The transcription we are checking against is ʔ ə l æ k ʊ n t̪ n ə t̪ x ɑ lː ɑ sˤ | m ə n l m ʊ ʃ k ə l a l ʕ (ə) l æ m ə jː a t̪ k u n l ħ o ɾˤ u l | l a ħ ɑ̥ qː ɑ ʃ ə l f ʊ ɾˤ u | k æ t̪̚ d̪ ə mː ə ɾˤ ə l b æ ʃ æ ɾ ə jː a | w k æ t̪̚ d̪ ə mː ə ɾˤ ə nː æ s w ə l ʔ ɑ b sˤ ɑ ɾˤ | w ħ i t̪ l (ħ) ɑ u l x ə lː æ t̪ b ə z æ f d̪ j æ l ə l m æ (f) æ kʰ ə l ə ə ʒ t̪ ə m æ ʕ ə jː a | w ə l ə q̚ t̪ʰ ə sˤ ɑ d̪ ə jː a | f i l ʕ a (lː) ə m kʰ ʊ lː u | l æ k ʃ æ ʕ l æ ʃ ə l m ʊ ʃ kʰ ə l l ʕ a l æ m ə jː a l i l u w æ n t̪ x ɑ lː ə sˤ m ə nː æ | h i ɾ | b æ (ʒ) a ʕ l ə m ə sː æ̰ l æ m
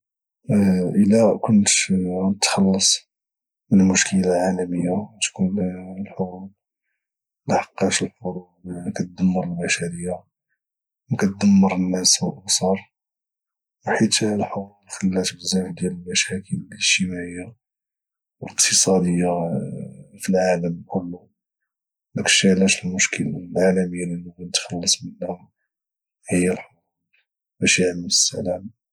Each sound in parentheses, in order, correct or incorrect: incorrect, correct, incorrect, incorrect, incorrect

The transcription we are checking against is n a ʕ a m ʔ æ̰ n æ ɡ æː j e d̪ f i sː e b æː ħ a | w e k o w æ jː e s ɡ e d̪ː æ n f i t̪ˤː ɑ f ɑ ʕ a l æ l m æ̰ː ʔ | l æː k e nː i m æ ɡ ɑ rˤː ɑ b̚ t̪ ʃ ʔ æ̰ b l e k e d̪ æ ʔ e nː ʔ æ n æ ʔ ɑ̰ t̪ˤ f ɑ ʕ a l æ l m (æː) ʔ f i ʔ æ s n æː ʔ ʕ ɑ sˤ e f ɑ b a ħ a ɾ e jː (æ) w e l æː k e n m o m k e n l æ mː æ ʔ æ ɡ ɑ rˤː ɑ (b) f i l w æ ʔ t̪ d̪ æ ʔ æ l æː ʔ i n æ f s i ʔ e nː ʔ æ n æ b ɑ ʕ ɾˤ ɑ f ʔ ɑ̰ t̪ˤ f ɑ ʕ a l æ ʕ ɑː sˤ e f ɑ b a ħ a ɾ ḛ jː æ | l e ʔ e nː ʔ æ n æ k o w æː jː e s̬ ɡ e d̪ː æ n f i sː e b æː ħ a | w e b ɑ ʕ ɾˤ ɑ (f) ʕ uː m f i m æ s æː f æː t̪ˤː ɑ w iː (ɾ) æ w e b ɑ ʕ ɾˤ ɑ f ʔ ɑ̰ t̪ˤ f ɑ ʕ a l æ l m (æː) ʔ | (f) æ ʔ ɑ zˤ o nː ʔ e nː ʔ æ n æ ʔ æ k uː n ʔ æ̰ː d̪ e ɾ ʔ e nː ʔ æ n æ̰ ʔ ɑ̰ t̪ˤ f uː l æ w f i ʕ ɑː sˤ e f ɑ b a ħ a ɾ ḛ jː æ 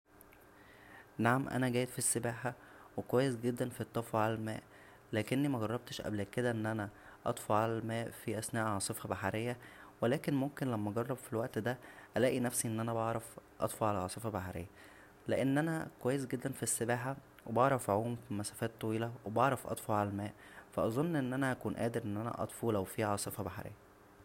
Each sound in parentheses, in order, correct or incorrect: correct, correct, correct, correct, incorrect, correct, correct

